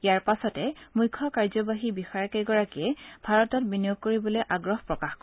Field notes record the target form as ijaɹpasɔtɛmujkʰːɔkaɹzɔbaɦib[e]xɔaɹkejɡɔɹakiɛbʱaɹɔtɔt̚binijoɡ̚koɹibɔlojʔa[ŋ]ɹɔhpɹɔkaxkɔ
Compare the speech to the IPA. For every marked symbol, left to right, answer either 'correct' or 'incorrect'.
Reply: incorrect: i, incorrect: ɡ

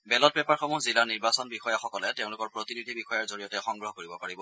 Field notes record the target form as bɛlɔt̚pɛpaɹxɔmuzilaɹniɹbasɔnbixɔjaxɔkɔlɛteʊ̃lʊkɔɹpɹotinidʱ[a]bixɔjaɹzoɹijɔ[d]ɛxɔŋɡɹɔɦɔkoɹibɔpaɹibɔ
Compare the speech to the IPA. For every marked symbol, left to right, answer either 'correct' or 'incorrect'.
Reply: incorrect: i, incorrect: t

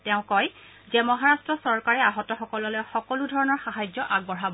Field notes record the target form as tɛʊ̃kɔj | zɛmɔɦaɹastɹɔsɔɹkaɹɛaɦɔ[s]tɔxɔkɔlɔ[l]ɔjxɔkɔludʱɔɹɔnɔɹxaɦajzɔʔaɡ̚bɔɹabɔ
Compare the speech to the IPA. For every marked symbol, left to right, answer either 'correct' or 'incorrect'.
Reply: incorrect: none, correct

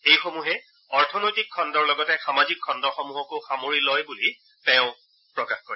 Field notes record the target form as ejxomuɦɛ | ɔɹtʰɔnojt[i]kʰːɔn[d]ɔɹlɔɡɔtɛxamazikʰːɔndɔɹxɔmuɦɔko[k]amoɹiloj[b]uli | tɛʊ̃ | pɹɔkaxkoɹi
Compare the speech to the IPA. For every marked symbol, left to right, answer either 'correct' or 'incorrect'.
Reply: correct, correct, incorrect: x, correct

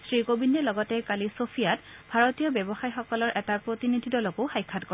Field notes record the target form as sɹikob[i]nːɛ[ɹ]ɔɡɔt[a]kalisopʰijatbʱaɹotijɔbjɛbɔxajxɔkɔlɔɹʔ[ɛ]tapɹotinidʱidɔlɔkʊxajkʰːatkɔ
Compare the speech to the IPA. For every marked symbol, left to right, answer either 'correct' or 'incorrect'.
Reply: correct, incorrect: l, incorrect: ɛ, correct

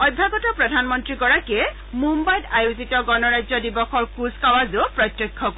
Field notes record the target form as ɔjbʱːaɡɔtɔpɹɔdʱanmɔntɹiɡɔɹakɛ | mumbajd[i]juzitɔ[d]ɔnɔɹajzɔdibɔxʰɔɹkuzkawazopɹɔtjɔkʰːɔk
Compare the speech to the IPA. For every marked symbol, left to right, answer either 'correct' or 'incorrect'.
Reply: incorrect: a, incorrect: ɡ

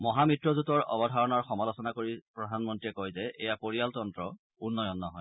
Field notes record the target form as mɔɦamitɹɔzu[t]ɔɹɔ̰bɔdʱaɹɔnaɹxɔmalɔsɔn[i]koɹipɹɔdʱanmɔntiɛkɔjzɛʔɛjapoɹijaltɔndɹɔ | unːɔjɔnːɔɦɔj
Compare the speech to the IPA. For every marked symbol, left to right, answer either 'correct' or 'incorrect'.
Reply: correct, incorrect: a

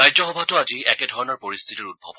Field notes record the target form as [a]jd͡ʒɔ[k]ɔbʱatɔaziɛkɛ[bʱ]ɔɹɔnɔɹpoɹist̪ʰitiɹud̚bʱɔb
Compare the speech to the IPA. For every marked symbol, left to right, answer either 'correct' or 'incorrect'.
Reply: correct, incorrect: x, incorrect: dʱ

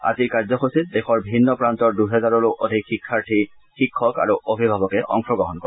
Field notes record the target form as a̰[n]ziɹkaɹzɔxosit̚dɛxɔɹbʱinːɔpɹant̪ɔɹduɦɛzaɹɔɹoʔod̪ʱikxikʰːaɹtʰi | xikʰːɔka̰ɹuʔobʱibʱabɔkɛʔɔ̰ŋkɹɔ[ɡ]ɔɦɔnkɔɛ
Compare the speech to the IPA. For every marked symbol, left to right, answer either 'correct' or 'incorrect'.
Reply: incorrect: none, correct

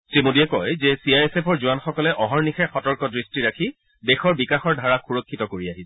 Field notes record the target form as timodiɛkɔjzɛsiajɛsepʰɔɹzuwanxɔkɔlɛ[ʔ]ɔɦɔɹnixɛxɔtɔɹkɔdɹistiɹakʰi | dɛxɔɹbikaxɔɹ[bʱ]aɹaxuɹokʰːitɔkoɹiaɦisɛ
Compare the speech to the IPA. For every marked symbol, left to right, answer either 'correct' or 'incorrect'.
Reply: correct, incorrect: dʱ

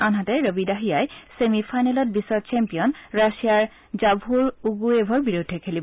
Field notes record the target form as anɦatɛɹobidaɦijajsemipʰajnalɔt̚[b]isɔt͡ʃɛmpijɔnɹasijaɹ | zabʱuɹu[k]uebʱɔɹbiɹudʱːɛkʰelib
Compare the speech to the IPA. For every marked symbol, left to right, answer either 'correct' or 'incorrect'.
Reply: correct, incorrect: ɡ

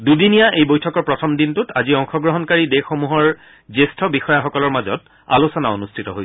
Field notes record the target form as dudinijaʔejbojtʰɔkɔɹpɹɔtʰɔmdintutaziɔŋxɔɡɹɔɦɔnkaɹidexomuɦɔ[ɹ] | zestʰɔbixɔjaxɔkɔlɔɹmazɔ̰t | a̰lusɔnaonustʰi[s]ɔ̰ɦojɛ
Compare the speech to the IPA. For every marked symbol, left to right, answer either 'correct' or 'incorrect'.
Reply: correct, incorrect: t

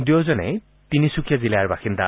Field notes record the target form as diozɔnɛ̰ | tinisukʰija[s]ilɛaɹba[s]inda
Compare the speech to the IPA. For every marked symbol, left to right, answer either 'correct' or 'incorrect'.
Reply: incorrect: z, incorrect: x

